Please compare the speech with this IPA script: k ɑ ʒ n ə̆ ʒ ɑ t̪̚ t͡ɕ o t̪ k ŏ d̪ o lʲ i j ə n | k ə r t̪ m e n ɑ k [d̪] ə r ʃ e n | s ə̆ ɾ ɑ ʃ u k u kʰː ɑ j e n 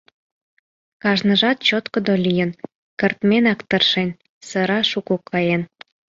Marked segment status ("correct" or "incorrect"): incorrect